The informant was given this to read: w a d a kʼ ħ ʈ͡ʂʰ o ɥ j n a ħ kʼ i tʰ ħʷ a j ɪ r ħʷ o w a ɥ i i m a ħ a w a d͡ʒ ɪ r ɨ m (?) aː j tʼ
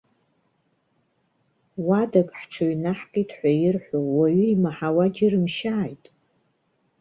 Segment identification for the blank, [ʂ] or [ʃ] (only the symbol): ʃ